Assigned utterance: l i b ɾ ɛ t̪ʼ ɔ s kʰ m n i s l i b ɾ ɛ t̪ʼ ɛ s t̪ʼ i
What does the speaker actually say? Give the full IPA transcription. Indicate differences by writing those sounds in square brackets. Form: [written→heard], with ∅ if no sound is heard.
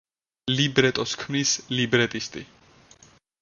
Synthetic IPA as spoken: l i b ɾ ɛ t̪ʼ ɔ s kʰ m n i s l i b ɾ ɛ t̪ʼ [ɛ→i] s t̪ʼ i